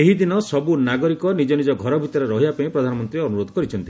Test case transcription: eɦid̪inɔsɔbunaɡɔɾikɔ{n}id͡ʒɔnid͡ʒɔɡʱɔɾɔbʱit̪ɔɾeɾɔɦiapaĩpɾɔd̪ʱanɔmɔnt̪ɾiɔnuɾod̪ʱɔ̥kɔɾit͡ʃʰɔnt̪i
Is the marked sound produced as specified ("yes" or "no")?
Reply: yes